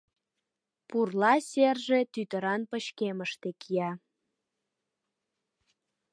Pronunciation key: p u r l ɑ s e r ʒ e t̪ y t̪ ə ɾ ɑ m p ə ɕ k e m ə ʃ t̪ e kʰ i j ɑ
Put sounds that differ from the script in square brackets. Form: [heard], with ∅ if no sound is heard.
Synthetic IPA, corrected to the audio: p u r l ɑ s e r ʒ e t̪ y t̪ ə ɾ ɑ [n] p ə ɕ k e m ə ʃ t̪ e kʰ i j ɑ